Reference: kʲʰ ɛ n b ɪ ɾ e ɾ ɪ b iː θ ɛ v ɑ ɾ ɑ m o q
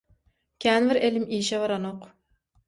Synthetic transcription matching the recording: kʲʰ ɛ n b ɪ ɾ e l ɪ m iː ʃ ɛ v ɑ ɾ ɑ n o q